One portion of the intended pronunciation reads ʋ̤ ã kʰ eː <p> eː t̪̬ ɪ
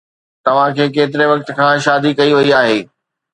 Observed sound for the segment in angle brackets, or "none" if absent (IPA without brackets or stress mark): k